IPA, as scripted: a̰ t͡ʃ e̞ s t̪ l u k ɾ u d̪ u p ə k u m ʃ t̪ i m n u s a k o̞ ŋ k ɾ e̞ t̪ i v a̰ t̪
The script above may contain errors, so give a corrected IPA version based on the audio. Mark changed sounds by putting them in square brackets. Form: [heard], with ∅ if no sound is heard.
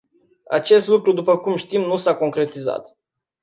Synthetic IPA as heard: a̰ t͡ʃ e̞ s t̪ l u k ɾ u d̪ u p ə k u m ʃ t̪ i m n u s a k o̞ ŋ k ɾ e̞ t̪ i [z] a̰ t̪

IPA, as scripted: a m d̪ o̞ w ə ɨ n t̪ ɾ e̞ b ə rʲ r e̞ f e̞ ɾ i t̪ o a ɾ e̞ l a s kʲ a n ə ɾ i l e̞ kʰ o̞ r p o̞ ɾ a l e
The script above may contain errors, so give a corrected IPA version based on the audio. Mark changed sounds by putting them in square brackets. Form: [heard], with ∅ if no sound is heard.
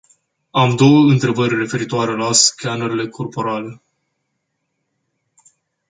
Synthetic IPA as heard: a m d̪ o̞ w ə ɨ n t̪ ɾ e̞ b ə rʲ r e̞ f e̞ ɾ i t̪ o a ɾ e̞ l a s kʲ a n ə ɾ i l e̞ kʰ o̞ r p o̞ ɾ a l e

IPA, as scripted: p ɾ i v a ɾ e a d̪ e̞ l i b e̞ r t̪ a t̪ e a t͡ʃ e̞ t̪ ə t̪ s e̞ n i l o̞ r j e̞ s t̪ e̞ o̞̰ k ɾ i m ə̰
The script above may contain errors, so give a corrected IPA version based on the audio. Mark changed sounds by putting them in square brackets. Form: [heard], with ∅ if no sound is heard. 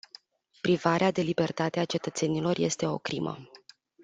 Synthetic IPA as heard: p ɾ i v a ɾ e a d̪ e̞ l i b e̞ r t̪ a t̪ e a t͡ʃ e̞ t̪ ə t̪ s e̞ n i l o̞ r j e̞ s t̪ e̞ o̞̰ k ɾ i m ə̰

